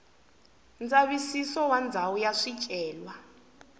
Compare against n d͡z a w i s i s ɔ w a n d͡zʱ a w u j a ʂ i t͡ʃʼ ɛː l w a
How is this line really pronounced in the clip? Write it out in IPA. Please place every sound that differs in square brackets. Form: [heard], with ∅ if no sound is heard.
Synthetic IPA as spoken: n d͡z a [β] i s i s ɔ w a n d͡zʱ a w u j a ʂ i t͡ʃʼ ɛː l w a